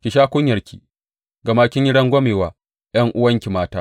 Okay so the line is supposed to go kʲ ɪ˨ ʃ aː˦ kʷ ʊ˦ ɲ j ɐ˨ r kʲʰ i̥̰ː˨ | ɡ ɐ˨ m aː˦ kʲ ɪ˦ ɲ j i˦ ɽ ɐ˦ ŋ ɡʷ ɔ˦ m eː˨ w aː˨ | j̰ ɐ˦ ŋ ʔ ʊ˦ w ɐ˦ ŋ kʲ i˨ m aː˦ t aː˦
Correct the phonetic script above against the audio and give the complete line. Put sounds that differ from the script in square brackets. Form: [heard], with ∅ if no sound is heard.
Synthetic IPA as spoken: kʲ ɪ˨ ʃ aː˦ kʷ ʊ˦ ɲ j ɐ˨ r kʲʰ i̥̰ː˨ | ɡ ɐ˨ m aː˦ kʲ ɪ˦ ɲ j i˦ ɽ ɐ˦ ŋ ɡʷ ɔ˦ m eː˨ w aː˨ | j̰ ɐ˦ ŋ ʔ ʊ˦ w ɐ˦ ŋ kʲ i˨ m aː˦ t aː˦